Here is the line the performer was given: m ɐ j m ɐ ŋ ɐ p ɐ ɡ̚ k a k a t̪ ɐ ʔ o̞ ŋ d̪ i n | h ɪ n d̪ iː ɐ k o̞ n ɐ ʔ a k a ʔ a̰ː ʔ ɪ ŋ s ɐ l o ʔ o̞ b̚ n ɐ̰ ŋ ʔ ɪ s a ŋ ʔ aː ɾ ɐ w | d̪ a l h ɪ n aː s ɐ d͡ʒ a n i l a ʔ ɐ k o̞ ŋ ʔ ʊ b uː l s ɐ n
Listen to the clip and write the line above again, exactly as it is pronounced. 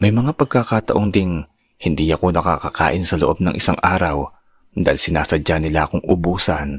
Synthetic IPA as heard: m ɐ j m ɐ ŋ a p ɐ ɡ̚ k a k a t̪ ɐ ʔ o̞ ŋ d̪ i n | h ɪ n d̪ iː ɐ k o̞ n ɐ k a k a k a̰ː ʔ ɪ n s ɐ l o ʔ o̞ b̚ n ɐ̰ ŋ ʔ ɪ s a ŋ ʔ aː ɾ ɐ w | d̪ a l s ɪ n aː s ɐ d͡ʒ a n ɪ l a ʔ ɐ k o̞ ŋ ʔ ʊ b uː s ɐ n